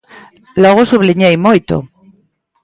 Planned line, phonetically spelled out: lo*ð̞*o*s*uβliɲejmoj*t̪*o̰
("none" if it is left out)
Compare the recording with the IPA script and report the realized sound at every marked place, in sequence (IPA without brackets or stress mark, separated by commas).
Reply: ɣ̞, s, t̪